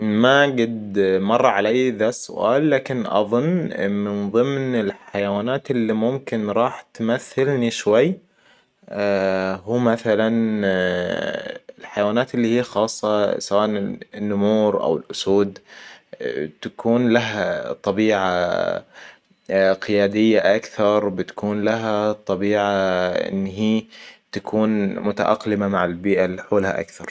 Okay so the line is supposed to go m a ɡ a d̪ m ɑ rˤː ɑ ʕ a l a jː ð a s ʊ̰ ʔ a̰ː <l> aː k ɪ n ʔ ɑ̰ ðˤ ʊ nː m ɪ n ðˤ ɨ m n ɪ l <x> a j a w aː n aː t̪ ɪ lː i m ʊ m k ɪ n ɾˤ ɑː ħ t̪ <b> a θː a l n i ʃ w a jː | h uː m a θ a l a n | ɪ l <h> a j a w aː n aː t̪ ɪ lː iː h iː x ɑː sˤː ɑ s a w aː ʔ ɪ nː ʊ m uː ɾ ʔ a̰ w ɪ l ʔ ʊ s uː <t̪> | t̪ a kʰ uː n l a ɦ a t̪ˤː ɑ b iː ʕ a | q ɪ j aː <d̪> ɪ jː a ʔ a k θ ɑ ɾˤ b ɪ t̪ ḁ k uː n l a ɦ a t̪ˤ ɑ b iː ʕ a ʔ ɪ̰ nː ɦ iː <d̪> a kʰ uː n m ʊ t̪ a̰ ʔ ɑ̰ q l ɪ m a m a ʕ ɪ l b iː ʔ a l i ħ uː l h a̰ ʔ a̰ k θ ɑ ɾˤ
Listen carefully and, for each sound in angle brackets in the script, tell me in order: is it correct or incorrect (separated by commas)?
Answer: incorrect, incorrect, incorrect, incorrect, incorrect, correct, incorrect